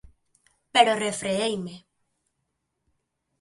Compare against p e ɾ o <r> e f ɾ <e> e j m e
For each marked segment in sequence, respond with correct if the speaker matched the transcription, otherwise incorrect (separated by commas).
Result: correct, correct